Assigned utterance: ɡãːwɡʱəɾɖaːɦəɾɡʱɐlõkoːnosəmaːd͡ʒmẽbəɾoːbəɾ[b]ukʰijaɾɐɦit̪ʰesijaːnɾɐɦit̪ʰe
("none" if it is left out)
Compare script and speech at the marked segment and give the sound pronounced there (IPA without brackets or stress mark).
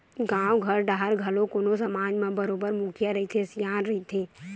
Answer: m